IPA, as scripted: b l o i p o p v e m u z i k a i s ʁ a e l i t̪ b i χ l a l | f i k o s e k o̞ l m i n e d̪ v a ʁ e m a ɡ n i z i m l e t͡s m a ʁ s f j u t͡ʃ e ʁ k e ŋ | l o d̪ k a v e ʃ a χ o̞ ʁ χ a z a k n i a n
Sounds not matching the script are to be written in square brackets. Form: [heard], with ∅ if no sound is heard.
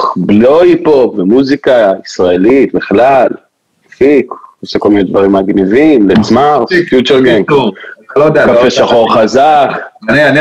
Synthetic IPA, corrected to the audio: b l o i p o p v e m u z i k a i s ʁ a e l i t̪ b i χ l a l | f i k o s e k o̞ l m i n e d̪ v a ʁ [i] m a ɡ n i [v] i m l e t͡s m a ʁ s f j u t͡ʃ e ʁ [ɡ] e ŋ | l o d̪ k a [f] e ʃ a χ o̞ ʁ χ a z a k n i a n